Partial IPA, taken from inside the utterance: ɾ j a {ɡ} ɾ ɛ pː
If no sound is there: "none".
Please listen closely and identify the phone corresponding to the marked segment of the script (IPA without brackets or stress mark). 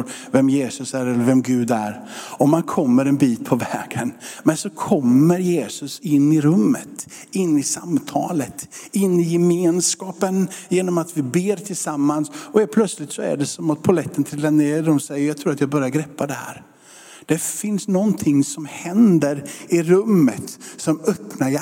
ɡ